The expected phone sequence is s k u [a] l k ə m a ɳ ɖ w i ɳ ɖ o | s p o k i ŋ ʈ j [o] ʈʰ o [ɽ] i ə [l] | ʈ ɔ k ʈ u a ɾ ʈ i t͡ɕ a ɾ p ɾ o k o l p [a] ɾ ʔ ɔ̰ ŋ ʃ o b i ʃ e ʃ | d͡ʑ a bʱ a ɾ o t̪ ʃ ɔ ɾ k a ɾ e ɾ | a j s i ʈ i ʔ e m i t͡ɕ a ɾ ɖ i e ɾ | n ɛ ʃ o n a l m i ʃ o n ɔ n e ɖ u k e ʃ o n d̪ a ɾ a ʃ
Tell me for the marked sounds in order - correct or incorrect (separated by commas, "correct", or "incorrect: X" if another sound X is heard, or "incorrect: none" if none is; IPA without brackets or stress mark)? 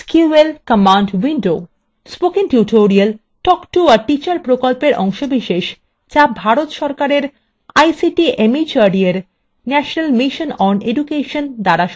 incorrect: e, incorrect: u, incorrect: ɾ, correct, incorrect: e